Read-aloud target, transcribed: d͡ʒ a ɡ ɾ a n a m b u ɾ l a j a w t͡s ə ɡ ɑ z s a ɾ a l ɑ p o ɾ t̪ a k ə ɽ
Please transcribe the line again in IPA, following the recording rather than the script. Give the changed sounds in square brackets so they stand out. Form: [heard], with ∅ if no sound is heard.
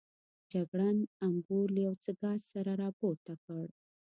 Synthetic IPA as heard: d͡ʒ a ɡ [ɽ] a n a m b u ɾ l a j a w t͡s ə ɡ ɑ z s a ɾ a [ɾ] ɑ p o ɾ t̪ a k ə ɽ